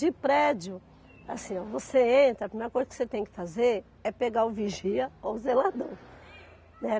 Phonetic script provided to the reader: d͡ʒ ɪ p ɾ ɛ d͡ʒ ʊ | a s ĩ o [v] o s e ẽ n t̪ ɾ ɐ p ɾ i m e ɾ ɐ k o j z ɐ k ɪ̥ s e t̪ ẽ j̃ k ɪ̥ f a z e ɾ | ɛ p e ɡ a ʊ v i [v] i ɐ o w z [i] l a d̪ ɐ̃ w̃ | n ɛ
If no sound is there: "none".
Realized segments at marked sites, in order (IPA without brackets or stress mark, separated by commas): v, ʒ, e